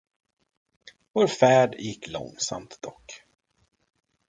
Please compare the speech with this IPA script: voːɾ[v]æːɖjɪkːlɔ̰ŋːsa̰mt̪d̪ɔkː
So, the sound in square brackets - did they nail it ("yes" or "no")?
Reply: no